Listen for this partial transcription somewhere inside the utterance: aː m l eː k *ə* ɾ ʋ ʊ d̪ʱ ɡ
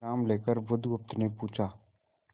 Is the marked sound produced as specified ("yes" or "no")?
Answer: yes